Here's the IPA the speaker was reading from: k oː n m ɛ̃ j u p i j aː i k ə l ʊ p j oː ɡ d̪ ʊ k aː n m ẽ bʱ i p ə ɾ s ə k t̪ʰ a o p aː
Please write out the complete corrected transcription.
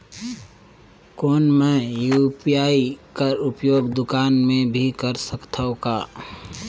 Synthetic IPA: k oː n m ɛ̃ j u p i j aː i k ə ɾ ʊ p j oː ɡ d̪ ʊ k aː n m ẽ bʱ i k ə ɾ s ə k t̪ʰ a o k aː